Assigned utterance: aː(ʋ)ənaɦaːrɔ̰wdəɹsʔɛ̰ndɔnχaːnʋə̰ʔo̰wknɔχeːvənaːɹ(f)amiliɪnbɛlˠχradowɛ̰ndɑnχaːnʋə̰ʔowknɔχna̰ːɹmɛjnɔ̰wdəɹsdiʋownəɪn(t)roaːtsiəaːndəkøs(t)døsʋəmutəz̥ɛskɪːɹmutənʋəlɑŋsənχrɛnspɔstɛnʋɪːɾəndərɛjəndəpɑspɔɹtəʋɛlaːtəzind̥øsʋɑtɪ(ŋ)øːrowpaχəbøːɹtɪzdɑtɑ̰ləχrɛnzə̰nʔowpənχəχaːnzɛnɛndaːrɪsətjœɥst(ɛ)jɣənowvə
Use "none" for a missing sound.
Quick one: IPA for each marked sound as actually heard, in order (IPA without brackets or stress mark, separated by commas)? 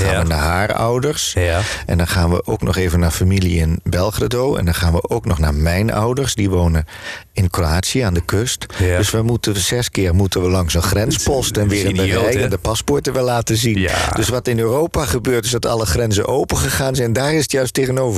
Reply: ʋ, f, k, t, n, e